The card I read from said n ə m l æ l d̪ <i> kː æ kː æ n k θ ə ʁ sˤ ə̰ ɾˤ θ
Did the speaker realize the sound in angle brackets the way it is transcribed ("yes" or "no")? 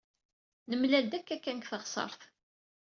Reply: no